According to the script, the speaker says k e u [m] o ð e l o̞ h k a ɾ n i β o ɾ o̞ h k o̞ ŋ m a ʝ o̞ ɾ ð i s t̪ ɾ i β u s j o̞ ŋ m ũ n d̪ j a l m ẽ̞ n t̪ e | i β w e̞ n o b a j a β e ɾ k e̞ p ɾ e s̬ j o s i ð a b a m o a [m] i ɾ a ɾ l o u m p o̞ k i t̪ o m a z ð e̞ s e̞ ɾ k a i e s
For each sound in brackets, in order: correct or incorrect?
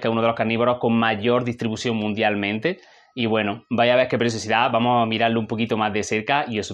incorrect, correct

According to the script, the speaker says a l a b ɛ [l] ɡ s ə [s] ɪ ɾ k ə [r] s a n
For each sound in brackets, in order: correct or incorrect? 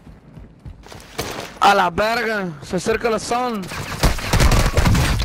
incorrect, correct, incorrect

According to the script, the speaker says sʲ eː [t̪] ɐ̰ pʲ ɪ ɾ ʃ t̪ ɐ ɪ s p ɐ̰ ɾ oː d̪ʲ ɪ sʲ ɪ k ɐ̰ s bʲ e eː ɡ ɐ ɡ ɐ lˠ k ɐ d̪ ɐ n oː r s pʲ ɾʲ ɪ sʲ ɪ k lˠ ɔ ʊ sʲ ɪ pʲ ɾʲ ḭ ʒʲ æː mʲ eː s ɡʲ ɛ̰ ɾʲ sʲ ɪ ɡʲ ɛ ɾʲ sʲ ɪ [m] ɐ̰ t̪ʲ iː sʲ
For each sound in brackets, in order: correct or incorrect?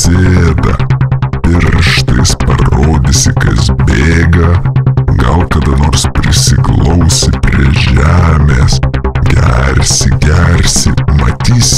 incorrect, correct

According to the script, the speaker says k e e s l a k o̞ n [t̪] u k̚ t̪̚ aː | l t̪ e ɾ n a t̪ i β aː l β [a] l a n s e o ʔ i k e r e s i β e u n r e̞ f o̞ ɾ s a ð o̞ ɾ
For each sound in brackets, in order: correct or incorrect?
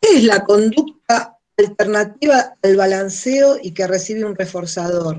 incorrect, correct

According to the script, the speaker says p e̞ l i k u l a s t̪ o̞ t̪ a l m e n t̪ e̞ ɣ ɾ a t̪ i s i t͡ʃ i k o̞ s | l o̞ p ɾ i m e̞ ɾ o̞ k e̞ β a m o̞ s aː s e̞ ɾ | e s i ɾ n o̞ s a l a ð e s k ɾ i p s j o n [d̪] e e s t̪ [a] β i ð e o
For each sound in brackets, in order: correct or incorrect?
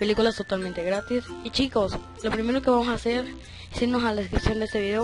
correct, incorrect

